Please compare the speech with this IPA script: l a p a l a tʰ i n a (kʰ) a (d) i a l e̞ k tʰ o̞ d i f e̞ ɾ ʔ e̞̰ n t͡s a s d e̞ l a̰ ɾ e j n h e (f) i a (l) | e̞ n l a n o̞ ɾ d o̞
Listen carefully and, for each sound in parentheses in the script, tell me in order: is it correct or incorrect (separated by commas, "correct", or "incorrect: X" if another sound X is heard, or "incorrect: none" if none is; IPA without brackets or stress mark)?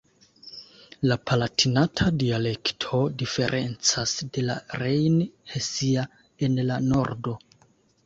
incorrect: tʰ, correct, incorrect: s, incorrect: none